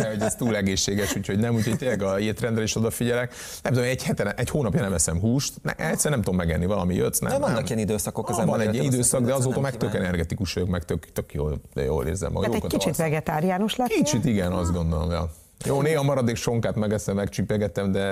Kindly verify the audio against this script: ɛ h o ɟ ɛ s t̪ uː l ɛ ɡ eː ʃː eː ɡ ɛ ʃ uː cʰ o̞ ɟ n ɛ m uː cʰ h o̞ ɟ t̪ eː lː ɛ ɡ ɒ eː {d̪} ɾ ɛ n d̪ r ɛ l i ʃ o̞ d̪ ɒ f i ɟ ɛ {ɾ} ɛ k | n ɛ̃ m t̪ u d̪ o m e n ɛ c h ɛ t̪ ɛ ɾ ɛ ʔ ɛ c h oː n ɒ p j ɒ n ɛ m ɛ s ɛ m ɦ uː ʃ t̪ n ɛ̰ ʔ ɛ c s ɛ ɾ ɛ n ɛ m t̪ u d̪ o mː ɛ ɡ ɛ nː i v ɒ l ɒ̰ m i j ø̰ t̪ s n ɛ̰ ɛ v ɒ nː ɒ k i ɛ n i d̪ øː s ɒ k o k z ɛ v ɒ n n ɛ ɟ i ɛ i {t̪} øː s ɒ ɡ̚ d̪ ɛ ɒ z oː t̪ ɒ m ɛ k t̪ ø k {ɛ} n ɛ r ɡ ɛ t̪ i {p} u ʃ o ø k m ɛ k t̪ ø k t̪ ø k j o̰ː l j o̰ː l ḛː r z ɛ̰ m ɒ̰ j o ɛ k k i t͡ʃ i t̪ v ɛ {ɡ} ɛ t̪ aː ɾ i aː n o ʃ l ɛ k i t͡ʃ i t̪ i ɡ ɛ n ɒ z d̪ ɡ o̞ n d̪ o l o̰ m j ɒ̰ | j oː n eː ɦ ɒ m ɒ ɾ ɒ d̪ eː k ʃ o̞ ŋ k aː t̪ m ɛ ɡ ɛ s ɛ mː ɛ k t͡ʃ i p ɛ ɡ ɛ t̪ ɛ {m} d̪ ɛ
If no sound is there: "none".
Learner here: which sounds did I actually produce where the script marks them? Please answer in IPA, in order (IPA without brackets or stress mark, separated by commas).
t̪, l, d̪, ɛ, k, ɡ, m